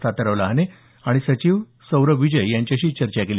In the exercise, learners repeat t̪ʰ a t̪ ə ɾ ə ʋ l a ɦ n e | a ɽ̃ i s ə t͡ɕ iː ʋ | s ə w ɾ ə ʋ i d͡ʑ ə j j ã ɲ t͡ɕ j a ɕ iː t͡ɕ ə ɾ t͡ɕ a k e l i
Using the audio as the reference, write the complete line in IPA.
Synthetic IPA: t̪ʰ a t̪ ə ɾ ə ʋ l a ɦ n e | a ɽ̃ i s ə t͡ɕ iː ʋ | s ə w ɾ ə ʋ i d͡ʑ ə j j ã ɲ t͡ɕ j a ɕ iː t͡ɕ ə ɾ t͡ɕ a k e l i